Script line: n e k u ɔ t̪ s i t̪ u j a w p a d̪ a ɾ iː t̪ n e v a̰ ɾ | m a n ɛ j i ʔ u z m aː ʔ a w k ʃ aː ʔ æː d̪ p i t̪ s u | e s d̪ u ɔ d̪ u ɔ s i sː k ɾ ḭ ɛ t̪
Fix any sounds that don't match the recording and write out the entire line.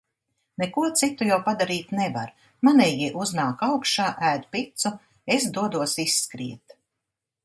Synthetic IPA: n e k u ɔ t̪ s i t̪ u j a w p a d̪ a ɾ iː t̪ n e v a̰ ɾ | m a n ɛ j i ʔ u z n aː k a w k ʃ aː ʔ æː d̪ p i t̪ s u | e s d̪ u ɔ d̪ u ɔ s i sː k ɾ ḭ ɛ t̪